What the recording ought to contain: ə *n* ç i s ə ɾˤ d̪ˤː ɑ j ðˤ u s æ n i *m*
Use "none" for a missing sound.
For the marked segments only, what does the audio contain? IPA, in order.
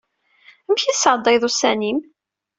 m, m

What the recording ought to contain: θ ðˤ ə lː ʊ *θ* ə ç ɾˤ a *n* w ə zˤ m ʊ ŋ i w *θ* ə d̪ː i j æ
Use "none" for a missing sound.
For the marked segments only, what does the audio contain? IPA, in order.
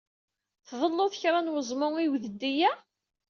θ, n, ð

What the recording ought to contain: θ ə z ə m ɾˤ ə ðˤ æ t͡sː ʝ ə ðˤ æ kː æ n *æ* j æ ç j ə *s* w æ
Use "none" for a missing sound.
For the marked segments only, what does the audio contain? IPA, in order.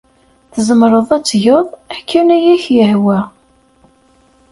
æ, h

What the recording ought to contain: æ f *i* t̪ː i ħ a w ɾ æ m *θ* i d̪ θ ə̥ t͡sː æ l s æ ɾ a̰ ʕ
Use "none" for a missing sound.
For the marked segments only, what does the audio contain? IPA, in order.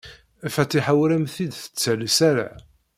æ, θ

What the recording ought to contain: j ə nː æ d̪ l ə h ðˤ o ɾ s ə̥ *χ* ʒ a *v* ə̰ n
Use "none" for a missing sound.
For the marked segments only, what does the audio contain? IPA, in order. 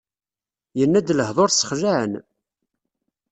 χ, ʕ

